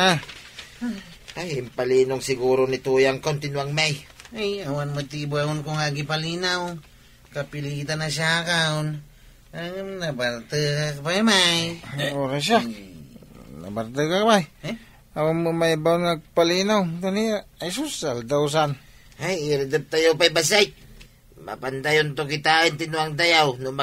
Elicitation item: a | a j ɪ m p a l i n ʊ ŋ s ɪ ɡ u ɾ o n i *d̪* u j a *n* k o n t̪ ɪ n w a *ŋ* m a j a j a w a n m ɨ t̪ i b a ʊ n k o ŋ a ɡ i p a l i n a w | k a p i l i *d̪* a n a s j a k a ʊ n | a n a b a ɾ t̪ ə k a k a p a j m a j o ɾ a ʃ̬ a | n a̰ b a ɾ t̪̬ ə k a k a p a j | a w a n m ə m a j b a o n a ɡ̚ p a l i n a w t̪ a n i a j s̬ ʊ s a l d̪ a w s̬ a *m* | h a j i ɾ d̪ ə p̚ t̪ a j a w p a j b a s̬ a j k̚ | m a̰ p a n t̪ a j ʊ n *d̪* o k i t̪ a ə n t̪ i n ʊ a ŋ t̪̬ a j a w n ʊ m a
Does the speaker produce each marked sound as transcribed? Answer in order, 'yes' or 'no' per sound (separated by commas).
no, no, yes, no, no, no